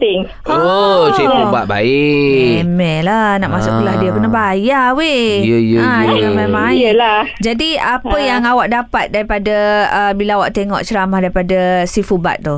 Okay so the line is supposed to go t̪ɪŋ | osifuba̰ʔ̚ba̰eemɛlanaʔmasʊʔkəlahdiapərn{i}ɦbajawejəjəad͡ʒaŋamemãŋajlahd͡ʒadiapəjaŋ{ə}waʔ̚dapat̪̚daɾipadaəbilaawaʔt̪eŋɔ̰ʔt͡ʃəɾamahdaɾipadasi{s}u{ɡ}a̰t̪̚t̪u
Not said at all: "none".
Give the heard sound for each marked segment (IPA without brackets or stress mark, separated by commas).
a, a, f, b